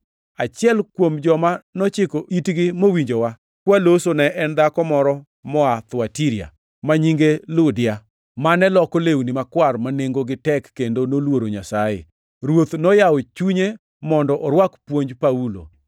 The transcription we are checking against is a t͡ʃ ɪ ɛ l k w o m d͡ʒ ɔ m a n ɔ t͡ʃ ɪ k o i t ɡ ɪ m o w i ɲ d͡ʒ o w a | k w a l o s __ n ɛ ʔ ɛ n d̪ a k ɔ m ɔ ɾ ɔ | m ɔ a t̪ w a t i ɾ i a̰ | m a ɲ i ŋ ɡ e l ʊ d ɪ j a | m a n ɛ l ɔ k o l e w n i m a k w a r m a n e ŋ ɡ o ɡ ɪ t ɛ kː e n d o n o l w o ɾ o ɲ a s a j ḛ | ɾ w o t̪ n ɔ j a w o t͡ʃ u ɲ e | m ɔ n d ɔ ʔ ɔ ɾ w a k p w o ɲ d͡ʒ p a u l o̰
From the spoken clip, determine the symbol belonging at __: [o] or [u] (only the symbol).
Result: o